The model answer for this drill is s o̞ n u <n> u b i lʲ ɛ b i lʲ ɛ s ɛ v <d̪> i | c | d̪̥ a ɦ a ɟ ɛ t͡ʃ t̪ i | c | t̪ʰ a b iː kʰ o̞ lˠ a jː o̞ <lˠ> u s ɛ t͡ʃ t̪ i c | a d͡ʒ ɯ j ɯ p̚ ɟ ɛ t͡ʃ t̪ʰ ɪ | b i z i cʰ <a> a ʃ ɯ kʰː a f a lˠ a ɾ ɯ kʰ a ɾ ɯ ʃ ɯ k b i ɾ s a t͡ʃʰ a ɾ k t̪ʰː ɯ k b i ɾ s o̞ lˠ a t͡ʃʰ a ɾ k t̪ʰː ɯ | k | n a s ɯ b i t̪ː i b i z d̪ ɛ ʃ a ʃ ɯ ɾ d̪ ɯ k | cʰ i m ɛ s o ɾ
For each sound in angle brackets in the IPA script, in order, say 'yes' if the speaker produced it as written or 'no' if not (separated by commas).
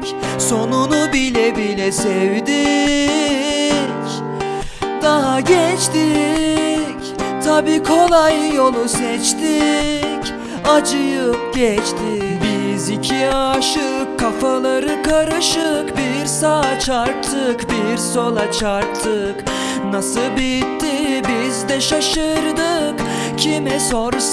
yes, yes, yes, no